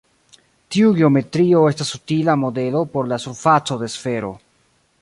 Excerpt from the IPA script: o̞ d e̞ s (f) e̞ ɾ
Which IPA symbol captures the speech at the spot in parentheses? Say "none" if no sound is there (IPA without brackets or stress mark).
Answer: f